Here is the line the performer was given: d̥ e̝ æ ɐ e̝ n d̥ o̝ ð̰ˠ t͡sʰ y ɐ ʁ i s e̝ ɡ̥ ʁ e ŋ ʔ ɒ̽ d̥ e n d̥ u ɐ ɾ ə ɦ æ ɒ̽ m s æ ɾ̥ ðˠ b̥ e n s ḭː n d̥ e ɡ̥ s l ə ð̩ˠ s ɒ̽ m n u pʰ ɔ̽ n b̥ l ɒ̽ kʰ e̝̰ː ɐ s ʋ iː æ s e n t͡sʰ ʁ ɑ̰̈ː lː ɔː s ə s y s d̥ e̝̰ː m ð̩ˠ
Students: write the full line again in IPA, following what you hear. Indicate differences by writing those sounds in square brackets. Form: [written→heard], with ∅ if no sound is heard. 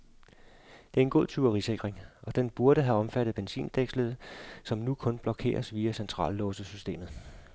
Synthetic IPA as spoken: d̥ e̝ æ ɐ e̝ n [d̥→ɡ̥] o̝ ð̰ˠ t͡sʰ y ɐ ʁ i s e̝ ɡ̥ ʁ e ŋ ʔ ɒ̽ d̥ e n [d̥→b̥] u ɐ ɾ ə ɦ æ ɒ̽ m [s→f] æ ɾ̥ ðˠ b̥ e n s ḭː n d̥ e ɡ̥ s l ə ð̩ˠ s ɒ̽ m n u [pʰ→kʰ] ɔ̽ n b̥ l ɒ̽ kʰ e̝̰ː ɐ s ʋ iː æ s e n t͡sʰ ʁ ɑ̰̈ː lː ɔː s ə s y s d̥ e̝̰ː m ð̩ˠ